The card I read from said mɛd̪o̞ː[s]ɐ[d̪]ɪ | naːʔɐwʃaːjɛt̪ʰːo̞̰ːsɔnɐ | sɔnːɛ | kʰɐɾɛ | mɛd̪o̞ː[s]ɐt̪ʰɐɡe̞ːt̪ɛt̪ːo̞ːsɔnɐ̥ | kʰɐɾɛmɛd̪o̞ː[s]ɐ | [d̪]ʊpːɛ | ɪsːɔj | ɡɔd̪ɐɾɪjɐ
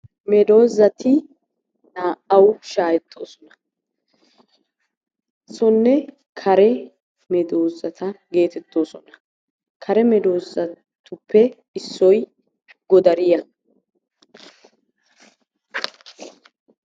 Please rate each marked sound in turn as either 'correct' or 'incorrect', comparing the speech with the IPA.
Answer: incorrect: z, incorrect: t̪, incorrect: z, incorrect: z, incorrect: t̪

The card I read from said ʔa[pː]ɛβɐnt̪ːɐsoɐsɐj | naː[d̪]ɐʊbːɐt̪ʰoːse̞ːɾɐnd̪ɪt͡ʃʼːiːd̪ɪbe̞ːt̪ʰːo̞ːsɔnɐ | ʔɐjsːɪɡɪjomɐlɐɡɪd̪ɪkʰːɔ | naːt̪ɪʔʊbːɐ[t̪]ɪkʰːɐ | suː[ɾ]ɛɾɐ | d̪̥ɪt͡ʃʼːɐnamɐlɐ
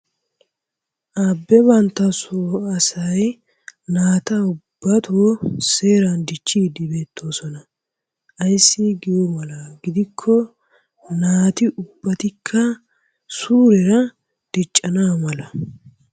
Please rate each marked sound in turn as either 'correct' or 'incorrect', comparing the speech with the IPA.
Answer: incorrect: bː, incorrect: t̪, correct, correct

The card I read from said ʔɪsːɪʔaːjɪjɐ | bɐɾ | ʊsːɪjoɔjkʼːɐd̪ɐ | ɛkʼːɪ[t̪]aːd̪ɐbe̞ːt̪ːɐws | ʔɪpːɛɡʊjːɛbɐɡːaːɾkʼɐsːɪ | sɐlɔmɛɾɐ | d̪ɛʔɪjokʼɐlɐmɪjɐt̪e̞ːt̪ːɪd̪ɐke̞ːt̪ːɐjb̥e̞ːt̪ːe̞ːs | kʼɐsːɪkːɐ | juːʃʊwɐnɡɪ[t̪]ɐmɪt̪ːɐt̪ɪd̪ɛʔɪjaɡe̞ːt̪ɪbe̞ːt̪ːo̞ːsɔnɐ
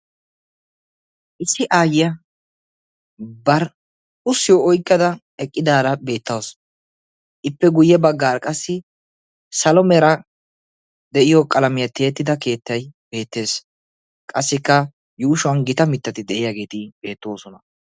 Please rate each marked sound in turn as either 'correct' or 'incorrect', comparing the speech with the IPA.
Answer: incorrect: d̪, correct

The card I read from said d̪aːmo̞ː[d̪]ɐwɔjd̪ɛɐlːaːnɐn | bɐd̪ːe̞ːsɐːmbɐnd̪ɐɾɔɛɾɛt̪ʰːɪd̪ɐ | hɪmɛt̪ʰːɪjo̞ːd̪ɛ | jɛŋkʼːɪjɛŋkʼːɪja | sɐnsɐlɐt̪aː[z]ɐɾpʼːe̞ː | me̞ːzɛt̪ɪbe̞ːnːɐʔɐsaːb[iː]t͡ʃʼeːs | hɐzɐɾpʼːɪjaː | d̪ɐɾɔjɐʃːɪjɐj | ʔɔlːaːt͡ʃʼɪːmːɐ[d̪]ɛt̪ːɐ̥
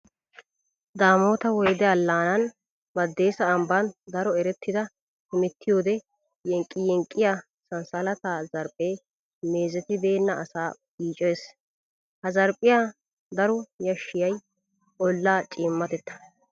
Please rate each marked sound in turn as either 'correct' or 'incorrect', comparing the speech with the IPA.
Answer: incorrect: t̪, correct, correct, incorrect: t̪

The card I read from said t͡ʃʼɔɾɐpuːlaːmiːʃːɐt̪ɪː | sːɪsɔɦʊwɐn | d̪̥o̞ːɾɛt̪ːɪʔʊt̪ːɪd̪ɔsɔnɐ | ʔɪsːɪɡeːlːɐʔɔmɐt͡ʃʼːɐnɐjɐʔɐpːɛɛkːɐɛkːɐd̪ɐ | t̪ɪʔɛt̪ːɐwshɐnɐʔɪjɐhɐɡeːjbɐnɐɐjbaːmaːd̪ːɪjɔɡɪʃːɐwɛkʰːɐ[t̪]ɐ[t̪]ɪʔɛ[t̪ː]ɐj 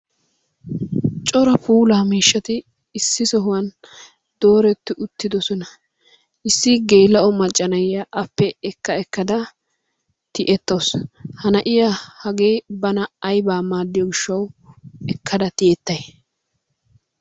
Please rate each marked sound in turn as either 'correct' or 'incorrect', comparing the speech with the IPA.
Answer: incorrect: d̪, correct, correct

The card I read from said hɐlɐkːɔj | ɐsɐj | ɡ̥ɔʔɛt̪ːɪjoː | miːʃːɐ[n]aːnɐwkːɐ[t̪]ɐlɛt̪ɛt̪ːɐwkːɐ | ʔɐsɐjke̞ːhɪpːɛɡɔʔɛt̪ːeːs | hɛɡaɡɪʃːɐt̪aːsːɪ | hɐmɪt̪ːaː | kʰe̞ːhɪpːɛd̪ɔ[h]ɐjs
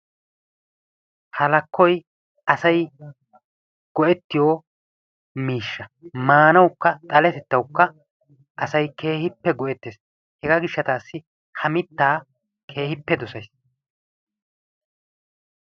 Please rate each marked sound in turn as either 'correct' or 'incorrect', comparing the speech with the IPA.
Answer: incorrect: m, incorrect: t̪ʼ, incorrect: s

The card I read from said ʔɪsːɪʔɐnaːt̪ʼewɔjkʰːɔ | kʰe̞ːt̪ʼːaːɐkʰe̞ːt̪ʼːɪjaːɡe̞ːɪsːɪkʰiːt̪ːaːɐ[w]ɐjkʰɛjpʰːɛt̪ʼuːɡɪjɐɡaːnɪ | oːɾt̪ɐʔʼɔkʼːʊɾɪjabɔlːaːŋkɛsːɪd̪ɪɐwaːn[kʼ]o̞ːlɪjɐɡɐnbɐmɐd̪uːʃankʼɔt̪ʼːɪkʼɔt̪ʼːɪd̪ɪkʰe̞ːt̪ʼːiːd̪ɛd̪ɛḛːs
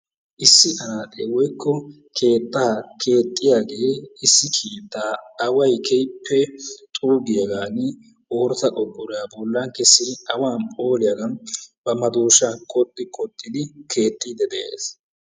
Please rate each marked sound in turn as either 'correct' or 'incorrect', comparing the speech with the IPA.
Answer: correct, incorrect: pʼ

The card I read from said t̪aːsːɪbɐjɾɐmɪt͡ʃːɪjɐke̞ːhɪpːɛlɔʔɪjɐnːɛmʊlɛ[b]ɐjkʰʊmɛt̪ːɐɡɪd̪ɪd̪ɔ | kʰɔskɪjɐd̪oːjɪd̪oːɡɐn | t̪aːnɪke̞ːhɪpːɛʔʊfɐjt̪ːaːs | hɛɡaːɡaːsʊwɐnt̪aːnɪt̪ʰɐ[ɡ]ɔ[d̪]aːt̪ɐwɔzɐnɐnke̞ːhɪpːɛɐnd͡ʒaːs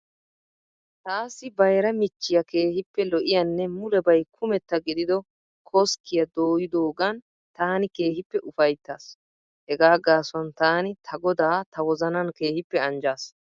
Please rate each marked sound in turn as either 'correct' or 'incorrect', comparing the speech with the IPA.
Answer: correct, correct, correct

